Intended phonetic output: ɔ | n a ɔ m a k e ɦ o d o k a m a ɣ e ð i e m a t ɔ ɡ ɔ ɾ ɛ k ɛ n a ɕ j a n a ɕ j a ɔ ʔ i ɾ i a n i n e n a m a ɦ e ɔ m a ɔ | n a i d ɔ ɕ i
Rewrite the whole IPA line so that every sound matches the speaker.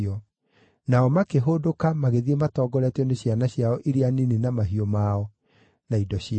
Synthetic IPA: ɔ | n a ɔ m a k e ɦ o d o k a m a ɣ e ð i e m a t ɔ ɡ ɔ ɾ ɛ t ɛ n e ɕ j a n a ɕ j a ɔ ʔ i ɾ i a n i n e n a m a ɦ i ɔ m a ɔ | n a i d ɔ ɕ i